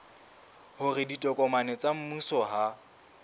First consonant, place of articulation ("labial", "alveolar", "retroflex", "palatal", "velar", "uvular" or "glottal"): glottal